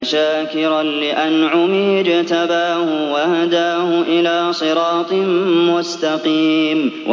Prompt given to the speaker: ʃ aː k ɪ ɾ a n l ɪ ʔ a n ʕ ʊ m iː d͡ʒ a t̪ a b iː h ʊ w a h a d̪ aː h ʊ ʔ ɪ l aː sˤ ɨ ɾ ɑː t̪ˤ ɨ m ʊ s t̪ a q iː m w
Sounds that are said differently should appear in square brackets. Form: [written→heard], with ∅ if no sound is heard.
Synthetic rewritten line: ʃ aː k ɪ ɾ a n l ɪ ʔ a n ʕ ʊ m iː d͡ʒ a t̪ a b [iː→aː] h ʊ w a h a d̪ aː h ʊ ʔ ɪ l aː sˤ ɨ ɾ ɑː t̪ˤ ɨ m ʊ s t̪ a q iː m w